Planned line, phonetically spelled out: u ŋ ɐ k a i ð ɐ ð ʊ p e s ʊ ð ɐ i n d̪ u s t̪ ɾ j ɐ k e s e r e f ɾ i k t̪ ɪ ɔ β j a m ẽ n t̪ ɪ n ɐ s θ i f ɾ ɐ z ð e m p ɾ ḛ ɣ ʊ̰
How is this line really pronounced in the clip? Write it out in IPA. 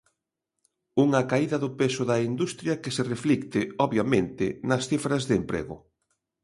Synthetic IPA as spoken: u ŋ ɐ k a i ð ɐ ð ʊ p e s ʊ ð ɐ i n d̪ u s t̪ ɾ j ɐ k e s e r e f l i k t̪ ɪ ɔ β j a m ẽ n t̪ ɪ n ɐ s θ i f ɾ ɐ z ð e m p ɾ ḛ ɣ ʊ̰

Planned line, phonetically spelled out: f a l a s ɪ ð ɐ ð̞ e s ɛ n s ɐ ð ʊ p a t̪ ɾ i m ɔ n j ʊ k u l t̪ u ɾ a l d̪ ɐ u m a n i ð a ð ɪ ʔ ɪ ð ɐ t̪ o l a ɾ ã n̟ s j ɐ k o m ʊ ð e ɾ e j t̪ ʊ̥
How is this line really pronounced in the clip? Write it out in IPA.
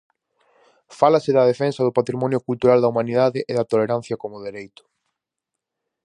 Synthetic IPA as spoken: f a l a s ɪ ð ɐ ð̞ e f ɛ n s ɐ ð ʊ p a t̪ ɾ i m ɔ n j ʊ k u l t̪ u ɾ a l d̪ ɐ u m a n i ð a ð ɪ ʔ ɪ ð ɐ t̪ o l e ɾ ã n̟ θ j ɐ k o m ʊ ð e ɾ e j t̪ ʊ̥

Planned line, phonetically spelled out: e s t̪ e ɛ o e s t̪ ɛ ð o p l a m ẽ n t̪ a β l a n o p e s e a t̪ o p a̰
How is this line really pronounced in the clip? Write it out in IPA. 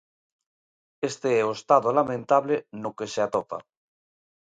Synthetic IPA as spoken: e s t̪ e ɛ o e s t̪ a ð o l a m ẽ n t̪ a β l e n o k e s e a t̪ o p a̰

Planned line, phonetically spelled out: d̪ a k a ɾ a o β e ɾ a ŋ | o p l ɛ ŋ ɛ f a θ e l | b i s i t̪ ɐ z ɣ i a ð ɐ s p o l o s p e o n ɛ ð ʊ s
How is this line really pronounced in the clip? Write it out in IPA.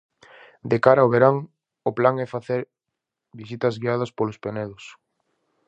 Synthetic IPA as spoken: d̪ e k a ɾ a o β e ɾ a ŋ | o p l a ŋ ɛ f a θ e ɾ | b i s i t̪ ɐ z ɣ i a ð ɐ s p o l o s p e o n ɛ ð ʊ s

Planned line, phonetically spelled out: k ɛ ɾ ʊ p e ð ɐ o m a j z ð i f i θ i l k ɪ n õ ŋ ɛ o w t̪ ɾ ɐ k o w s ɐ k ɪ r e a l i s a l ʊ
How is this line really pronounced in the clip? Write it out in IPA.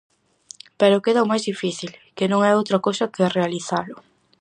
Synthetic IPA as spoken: p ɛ ɾ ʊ k e ð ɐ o m a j z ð i f i θ i l k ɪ n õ ŋ ɛ o w t̪ ɾ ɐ k o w s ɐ k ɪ r e a l i θ a l ʊ

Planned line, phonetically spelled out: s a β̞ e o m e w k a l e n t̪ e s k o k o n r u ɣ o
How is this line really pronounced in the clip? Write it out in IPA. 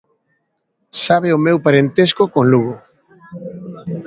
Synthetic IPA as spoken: s a β̞ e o m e w p a ɾ e n t̪ e s k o k o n l u ɣ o

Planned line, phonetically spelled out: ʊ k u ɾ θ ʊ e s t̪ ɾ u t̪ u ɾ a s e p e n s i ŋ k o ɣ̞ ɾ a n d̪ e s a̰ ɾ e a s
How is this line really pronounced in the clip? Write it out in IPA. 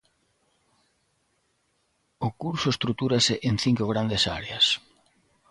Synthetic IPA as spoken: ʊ k u ɾ s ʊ e s t̪ ɾ u t̪ u ɾ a s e ʔ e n θ i ŋ k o ɣ̞ ɾ a n d̪ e s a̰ ɾ e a s

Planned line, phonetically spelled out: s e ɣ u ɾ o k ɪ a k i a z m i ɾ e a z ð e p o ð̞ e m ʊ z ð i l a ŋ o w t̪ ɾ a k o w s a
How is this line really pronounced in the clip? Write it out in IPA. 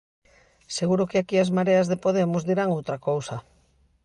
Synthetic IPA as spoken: s e ɣ u ɾ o k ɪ a k i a z m a ɾ e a z ð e p o ð̞ e m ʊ z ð i ɾ a ŋ o w t̪ ɾ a k o w s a

